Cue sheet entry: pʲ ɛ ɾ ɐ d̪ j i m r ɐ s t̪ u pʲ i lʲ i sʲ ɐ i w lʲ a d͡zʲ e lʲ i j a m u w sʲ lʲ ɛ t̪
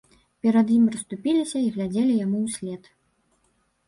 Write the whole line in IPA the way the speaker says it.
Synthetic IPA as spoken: pʲ ɛ ɾ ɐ d̪ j i m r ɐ s t̪ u pʲ i lʲ i sʲ ɐ i ɣ lʲ a d͡zʲ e lʲ i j a m u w sʲ lʲ ɛ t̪